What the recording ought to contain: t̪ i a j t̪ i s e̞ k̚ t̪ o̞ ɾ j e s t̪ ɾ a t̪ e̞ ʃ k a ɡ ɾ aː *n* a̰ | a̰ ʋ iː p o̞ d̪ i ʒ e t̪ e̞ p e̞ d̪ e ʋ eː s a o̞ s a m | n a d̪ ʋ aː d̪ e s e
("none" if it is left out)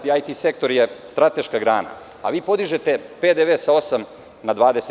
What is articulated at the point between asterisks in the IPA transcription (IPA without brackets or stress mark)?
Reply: n